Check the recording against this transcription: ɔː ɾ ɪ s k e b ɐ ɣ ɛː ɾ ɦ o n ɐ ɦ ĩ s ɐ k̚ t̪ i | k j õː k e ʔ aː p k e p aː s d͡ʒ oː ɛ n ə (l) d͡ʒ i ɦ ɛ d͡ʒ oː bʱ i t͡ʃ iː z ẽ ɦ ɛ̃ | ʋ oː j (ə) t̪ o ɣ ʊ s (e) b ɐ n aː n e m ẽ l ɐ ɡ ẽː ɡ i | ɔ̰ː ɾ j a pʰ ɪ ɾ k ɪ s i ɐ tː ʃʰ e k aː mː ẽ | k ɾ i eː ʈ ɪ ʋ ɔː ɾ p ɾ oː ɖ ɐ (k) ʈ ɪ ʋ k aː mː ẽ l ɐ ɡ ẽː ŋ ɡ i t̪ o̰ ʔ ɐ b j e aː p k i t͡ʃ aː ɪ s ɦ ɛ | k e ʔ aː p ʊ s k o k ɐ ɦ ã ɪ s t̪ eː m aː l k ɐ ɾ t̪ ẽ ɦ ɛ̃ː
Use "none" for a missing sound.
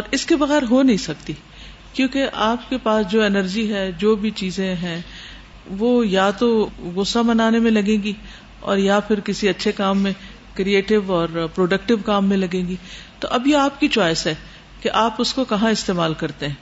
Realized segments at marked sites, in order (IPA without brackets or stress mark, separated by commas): ɾ, a, a, k